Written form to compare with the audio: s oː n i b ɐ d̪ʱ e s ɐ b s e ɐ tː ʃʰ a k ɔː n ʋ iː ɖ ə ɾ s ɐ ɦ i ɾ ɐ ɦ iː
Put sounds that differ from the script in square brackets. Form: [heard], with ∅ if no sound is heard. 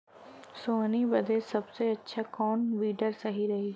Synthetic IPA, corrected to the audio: s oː n i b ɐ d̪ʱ e s ɐ b s e ɐ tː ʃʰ a k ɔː n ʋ iː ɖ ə ɾ s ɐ ɦ i ɾ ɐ ɦ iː